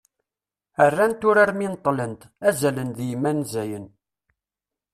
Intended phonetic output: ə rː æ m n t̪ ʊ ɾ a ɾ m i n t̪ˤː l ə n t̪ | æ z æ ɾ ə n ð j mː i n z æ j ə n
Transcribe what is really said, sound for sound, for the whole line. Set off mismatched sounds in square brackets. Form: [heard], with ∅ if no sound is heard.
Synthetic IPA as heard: ə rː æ [∅] n t̪ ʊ ɾ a ɾ m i n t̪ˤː l ə n t̪ | æ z æ [l] ə n ð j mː [æ] n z æ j ə n